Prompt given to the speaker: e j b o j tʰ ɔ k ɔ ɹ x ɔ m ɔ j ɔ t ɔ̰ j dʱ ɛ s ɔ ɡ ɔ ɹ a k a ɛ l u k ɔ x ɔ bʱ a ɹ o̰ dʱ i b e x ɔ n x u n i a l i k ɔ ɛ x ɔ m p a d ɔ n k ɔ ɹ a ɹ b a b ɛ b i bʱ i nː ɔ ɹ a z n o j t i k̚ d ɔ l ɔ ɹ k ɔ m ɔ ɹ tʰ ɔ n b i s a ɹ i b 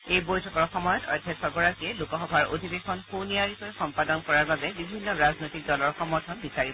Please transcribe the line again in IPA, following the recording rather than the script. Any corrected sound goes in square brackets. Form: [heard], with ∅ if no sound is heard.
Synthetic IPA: e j b o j tʰ ɔ k ɔ ɹ x ɔ m ɔ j ɔ t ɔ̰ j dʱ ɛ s ɔ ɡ ɔ ɹ a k [i] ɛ l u k ɔ x ɔ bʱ a ɹ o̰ dʱ i b e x ɔ n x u n i a [ɹ] i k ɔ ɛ x ɔ m p a d ɔ n k ɔ ɹ a ɹ b a b ɛ b i bʱ i nː ɔ ɹ a z n o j t i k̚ d ɔ l ɔ ɹ [x] ɔ m ɔ ɹ tʰ ɔ n b i s a ɹ i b